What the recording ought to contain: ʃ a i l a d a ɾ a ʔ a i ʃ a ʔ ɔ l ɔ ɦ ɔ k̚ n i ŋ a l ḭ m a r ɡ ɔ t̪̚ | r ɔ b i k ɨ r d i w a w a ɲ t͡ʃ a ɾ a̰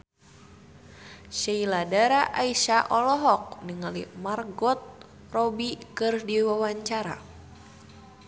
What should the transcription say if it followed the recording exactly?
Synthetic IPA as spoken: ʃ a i l a d a ɾ a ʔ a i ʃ a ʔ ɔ l ɔ ɦ ɔ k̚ n i ŋ a l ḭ m a r ɡ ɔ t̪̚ | r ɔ b i k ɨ r d i w a w a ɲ t͡ʃ a ɾ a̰